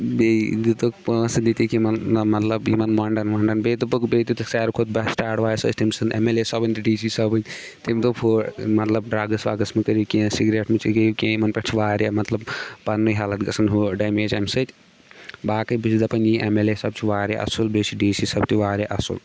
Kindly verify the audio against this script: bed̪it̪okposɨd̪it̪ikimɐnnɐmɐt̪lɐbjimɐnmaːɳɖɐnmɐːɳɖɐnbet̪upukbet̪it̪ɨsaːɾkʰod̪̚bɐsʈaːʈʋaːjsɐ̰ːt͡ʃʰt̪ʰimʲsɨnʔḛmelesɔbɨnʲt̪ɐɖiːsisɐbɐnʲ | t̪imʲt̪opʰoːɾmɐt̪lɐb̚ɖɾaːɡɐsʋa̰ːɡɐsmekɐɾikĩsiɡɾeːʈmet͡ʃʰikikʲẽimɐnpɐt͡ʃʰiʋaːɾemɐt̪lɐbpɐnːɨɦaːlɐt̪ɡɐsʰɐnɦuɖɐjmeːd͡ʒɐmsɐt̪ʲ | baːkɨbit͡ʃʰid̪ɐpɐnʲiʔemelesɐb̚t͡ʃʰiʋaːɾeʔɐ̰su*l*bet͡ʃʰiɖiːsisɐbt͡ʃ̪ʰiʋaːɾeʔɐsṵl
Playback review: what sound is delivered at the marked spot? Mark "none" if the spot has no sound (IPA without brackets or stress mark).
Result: l